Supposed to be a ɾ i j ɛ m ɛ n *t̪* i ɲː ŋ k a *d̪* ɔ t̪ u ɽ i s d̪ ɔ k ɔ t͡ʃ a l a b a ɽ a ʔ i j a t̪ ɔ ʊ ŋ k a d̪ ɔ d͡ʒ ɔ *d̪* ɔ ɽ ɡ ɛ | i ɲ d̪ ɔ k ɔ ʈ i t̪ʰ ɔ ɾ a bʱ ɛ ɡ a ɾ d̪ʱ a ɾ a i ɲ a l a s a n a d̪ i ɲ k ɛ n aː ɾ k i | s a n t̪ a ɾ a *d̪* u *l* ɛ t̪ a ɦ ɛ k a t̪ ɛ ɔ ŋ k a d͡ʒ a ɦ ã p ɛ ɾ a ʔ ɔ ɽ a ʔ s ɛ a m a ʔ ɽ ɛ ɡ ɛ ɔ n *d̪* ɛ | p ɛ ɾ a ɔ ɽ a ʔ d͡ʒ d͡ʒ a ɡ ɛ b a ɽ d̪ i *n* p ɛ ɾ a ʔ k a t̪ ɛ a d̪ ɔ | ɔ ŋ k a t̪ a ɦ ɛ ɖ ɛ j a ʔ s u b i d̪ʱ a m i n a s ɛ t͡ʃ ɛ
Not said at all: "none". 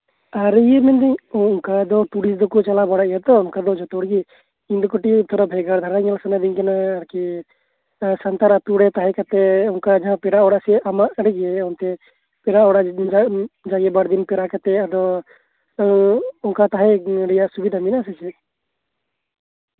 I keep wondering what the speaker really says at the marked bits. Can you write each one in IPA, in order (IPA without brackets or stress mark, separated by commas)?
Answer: d̪, d̪, t̪, t̪, ɽ, t̪, n